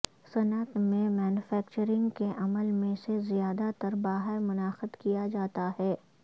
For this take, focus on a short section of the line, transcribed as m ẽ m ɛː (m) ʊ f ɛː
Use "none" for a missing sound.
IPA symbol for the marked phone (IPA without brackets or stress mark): n